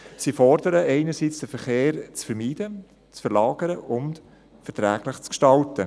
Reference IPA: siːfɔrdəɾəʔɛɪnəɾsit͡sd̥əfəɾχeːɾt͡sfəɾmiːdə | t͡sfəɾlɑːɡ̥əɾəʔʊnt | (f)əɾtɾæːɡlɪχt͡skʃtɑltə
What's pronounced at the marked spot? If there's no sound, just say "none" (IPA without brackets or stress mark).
f